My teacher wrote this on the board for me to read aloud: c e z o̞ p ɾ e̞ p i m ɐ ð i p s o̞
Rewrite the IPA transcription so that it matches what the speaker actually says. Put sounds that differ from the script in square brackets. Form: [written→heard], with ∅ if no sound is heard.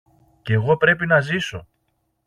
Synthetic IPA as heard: c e [z→ɣ] o̞ p ɾ e̞ p i [m→n] ɐ [ð→z] i [p→∅] s o̞